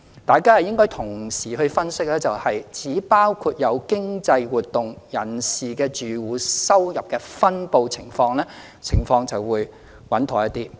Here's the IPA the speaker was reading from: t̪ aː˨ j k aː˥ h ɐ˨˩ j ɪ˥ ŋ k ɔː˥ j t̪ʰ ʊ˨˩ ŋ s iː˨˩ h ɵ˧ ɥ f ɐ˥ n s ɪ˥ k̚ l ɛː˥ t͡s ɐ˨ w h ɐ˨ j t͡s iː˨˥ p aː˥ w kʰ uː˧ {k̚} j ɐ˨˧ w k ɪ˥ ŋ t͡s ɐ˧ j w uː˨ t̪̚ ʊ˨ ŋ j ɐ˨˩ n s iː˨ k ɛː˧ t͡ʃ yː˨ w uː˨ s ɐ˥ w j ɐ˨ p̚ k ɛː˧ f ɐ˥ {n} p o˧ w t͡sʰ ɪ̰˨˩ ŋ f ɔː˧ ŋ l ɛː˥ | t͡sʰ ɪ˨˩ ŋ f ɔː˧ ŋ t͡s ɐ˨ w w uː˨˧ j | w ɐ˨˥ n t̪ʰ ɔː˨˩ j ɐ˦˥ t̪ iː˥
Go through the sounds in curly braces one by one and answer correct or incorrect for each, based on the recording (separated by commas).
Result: incorrect, correct